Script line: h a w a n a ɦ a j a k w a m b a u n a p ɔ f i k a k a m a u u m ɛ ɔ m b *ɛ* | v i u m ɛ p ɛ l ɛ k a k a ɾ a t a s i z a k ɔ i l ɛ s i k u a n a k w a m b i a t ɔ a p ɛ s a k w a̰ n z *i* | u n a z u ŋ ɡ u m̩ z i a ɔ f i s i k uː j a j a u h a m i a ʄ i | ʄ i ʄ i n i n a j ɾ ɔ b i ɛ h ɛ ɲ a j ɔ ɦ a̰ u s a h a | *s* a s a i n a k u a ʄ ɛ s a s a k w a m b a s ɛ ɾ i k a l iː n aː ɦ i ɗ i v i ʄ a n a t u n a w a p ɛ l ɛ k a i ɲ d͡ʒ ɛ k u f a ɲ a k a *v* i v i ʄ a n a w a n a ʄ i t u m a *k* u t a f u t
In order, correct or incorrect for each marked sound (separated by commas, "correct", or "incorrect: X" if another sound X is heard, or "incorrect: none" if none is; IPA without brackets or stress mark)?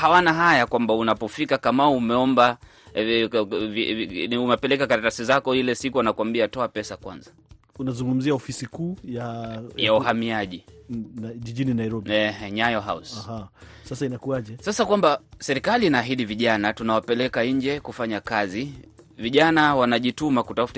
incorrect: a, incorrect: a, correct, incorrect: z, correct